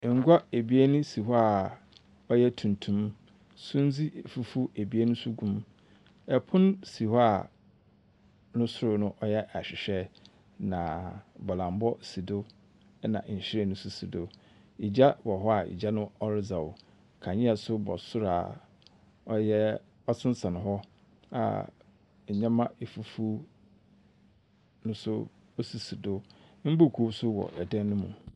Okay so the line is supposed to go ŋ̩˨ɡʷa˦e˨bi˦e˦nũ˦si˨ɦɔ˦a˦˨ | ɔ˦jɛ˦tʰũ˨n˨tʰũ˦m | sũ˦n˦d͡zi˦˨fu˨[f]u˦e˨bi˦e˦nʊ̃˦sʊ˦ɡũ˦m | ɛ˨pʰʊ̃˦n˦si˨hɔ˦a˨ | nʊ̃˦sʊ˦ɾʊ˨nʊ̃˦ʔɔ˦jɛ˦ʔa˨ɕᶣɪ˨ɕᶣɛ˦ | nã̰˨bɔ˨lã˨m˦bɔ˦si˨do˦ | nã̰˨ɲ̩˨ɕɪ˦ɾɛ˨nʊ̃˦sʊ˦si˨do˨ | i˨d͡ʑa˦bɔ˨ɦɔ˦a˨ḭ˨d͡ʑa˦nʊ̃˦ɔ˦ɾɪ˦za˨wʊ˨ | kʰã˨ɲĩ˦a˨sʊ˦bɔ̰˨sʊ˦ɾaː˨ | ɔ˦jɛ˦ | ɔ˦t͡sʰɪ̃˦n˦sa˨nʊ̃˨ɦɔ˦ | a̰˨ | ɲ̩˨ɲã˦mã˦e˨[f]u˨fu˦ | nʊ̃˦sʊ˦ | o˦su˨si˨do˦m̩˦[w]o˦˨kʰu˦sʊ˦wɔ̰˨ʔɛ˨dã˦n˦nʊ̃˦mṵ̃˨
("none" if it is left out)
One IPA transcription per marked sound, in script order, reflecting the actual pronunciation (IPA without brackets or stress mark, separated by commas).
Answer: f, f, b